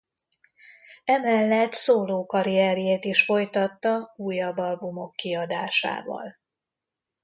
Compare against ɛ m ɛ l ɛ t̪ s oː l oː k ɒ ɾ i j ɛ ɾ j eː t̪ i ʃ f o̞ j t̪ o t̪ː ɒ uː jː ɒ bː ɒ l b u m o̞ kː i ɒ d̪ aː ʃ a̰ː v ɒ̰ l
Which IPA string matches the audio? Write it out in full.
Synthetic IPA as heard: ɛ m ɛ lː ɛ t̪ s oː l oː k ɒ ɾ i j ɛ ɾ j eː t̪ i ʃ f o̞ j t̪ ɒ t̪ː ɒ uː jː ɒ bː ɒ l b u m o̞ kː i ɒ d̪ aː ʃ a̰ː v ɒ̰ l